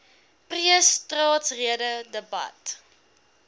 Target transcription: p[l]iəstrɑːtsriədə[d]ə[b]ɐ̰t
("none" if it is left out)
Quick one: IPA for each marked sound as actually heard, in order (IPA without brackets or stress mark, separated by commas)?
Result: r, d, b